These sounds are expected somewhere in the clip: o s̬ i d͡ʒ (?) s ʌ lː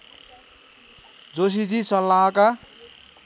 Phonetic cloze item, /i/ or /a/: i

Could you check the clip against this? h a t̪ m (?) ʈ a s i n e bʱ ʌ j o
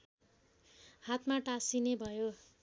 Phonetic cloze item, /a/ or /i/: a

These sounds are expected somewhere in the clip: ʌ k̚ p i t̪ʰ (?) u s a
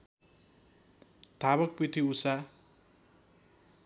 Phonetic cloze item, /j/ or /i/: i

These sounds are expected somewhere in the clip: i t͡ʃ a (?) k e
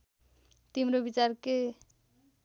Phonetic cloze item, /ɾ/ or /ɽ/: ɾ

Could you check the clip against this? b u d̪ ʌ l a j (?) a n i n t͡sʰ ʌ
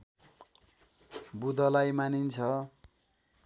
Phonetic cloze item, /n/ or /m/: m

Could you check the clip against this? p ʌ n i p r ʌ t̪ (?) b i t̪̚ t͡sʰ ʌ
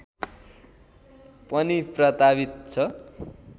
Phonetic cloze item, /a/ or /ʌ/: a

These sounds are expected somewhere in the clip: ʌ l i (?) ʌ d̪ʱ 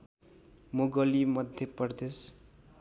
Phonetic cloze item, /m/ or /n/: m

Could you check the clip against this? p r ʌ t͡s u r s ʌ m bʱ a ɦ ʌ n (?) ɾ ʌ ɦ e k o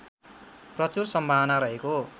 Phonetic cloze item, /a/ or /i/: a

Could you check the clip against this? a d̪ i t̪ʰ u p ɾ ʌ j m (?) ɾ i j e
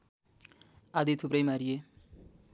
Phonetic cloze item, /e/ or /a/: a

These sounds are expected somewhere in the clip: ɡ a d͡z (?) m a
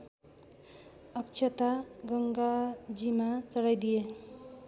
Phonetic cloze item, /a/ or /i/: i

